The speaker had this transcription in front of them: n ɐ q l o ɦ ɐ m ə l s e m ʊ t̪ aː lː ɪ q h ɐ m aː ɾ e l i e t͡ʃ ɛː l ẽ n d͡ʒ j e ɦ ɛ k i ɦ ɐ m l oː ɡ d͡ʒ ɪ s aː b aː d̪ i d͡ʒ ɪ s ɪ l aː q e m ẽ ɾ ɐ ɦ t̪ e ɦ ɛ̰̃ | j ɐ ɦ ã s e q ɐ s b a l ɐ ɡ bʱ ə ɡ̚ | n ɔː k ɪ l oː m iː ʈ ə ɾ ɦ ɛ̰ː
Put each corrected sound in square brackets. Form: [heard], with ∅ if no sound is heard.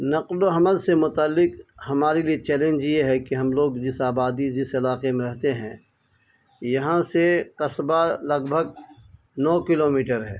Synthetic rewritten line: n ɐ q l o ɦ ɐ m ə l s e m ʊ t̪ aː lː ɪ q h ɐ m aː ɾ e l i e t͡ʃ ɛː l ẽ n d͡ʒ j e ɦ ɛ k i ɦ ɐ m l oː ɡ d͡ʒ ɪ s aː b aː d̪ i d͡ʒ ɪ s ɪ l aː q e m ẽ ɾ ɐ ɦ t̪ e ɦ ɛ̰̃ | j ɐ ɦ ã s e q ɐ s b a l ɐ ɡ bʱ ə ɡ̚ | n ɔː k ɪ l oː m iː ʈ ə ɾ ɦ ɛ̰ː